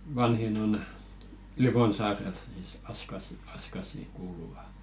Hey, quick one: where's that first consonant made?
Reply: lips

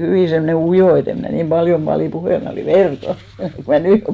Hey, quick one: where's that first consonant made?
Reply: throat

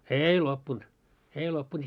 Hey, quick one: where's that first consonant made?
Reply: tongue tip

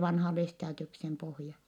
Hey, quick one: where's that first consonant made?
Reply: lips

